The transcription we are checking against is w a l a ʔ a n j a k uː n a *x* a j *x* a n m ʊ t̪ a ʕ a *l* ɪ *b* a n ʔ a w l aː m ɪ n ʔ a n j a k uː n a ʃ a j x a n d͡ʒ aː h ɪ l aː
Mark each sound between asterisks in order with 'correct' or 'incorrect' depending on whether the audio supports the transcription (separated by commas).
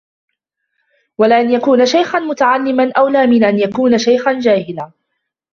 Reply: incorrect, correct, incorrect, incorrect